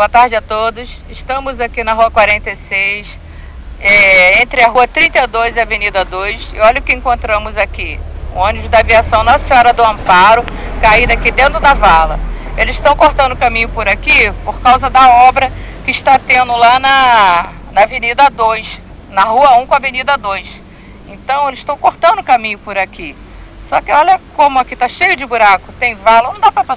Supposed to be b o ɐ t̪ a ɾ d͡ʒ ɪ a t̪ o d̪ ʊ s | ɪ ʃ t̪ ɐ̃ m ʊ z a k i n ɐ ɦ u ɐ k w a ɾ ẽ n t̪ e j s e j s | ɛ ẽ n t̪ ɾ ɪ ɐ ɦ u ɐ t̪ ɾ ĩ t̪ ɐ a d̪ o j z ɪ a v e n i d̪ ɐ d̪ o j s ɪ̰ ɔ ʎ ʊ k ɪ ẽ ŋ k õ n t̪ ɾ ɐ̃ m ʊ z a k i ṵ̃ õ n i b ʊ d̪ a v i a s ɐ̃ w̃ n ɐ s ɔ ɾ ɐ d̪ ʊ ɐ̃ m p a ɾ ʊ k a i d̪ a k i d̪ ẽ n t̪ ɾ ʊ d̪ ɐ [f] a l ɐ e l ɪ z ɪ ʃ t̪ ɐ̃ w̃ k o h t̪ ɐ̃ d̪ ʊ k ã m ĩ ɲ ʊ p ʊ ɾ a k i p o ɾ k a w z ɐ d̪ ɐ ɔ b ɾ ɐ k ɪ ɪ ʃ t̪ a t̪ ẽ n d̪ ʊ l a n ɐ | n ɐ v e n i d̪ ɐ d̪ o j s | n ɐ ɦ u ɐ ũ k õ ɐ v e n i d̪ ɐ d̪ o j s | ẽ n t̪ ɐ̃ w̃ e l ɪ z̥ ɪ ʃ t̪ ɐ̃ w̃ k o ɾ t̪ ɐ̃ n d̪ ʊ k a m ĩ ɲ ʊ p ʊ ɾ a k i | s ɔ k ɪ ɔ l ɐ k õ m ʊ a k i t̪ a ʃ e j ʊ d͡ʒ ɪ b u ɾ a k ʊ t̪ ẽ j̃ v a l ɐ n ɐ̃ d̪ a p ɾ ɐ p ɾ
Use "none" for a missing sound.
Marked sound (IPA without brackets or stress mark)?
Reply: v